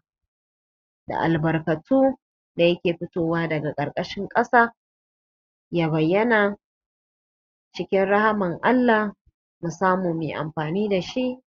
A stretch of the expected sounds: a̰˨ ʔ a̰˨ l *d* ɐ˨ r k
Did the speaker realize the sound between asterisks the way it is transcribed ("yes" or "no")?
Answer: no